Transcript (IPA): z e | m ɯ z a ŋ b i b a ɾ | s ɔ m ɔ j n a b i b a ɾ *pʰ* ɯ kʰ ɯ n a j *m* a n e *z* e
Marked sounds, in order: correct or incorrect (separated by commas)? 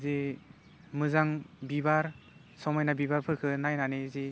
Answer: correct, incorrect, correct